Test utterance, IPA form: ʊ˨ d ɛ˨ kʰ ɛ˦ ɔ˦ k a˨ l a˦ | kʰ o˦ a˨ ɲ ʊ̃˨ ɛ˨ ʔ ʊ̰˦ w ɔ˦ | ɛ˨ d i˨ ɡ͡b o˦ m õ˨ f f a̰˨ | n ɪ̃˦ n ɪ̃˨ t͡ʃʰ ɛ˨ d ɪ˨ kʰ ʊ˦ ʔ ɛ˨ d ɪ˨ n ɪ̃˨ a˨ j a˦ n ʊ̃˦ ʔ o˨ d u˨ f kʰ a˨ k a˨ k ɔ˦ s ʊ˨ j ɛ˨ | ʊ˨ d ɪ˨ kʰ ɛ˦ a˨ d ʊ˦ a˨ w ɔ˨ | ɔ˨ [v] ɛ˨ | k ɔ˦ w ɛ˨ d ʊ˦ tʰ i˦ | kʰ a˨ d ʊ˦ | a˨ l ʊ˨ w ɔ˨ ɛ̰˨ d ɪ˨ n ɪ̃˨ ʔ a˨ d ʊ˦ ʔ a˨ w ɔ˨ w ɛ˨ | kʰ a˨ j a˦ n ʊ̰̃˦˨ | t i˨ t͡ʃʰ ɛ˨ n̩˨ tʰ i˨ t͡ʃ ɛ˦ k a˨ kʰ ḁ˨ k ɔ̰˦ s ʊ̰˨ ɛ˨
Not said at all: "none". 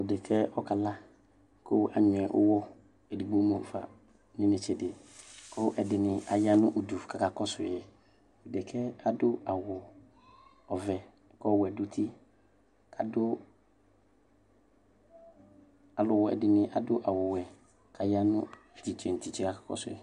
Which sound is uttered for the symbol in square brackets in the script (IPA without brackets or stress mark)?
v